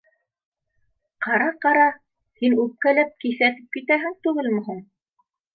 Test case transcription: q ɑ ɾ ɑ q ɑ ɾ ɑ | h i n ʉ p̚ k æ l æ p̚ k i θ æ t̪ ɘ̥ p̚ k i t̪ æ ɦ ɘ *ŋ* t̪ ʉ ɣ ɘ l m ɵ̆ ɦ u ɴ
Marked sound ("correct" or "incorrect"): correct